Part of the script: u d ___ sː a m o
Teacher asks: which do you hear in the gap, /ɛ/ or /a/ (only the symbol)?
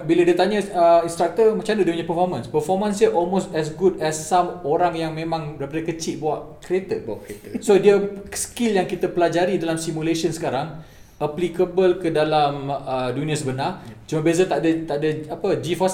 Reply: ɛ